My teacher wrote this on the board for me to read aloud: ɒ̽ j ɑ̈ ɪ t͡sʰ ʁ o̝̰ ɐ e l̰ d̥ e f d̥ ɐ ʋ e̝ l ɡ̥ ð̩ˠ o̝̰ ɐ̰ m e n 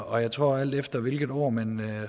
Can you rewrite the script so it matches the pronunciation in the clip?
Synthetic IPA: ɒ̽ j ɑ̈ ɪ t͡sʰ ʁ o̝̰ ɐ æ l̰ d̥ e f d̥ ɐ ʋ e̝ l ɡ̥ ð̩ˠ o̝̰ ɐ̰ m æ n